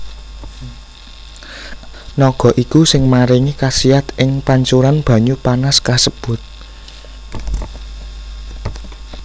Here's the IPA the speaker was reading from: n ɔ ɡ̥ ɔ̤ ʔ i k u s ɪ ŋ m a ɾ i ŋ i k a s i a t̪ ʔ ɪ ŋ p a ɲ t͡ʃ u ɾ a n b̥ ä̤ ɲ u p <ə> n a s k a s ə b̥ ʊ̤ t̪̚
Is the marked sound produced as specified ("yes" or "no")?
no